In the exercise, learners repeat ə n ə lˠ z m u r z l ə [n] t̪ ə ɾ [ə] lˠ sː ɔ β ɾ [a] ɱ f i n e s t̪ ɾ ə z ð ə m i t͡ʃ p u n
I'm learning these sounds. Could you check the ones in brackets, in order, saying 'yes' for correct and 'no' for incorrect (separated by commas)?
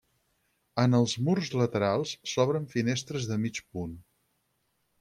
no, no, no